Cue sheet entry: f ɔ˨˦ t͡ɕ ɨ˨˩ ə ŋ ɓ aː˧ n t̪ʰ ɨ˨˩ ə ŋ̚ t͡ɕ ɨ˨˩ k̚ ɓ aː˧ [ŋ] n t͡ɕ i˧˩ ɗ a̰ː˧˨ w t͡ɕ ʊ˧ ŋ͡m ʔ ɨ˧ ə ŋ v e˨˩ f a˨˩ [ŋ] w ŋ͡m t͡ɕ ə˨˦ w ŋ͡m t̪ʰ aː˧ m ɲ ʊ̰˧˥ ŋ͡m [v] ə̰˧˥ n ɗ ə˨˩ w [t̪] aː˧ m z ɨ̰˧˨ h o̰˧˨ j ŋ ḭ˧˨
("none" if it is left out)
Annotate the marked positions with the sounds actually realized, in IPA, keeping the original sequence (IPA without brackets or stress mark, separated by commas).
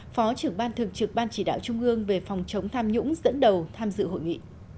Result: none, none, z, t̪ʰ